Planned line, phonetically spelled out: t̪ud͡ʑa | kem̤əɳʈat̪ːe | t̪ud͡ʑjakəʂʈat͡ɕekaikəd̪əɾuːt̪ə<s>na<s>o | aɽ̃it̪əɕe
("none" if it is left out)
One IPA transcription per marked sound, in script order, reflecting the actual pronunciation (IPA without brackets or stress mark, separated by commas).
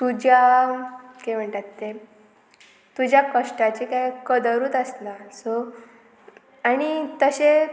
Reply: s, s